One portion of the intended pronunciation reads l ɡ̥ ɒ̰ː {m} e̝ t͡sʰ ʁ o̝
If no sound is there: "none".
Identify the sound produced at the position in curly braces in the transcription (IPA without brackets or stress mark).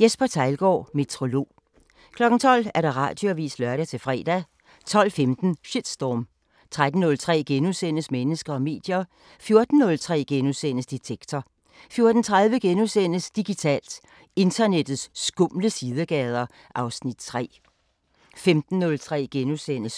m